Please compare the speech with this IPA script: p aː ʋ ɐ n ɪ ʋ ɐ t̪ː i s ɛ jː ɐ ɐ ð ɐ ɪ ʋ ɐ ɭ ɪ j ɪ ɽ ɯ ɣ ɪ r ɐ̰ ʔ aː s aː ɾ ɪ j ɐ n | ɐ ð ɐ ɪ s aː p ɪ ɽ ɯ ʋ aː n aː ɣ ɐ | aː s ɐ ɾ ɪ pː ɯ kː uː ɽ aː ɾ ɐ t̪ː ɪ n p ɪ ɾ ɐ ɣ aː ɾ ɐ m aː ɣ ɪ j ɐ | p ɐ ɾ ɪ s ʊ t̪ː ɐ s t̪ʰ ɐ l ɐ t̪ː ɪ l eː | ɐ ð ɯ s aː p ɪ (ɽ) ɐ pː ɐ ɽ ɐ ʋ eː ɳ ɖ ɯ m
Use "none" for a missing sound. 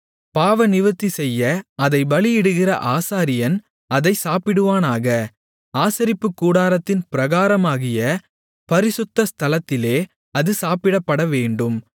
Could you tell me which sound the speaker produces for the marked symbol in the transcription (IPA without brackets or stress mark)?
ɽ